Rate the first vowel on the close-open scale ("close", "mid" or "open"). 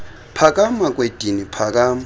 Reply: open